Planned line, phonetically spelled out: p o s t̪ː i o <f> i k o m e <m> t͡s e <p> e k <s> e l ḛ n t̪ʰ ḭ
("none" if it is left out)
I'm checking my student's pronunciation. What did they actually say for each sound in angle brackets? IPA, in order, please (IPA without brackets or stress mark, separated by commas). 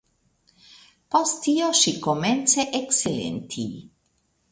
ʃ, n, ʔ, s